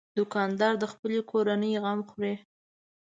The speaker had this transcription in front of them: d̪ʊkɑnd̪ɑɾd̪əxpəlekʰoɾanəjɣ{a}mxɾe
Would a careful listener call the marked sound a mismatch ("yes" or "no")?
no